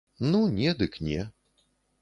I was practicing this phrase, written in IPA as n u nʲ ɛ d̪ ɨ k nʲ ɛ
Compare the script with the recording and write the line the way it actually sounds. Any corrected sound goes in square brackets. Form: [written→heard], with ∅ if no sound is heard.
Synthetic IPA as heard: n u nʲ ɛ d̪ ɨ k nʲ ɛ